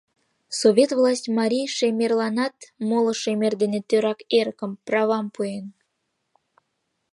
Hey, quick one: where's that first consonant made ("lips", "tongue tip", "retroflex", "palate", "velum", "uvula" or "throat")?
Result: tongue tip